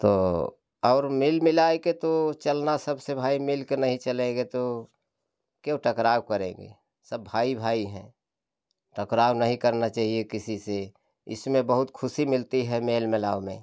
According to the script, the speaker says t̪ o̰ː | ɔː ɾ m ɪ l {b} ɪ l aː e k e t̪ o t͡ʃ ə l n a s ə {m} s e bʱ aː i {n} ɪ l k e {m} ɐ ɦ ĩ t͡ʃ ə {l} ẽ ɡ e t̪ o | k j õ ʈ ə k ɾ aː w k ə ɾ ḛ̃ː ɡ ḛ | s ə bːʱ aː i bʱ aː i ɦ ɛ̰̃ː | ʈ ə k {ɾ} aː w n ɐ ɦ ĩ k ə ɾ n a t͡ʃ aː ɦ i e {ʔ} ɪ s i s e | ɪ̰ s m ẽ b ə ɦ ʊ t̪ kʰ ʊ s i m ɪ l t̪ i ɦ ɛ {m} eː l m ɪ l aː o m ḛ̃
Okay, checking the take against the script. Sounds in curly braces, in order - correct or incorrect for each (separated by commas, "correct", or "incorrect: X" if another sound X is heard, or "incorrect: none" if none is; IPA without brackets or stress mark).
incorrect: m, incorrect: b, incorrect: m, incorrect: n, correct, correct, incorrect: k, correct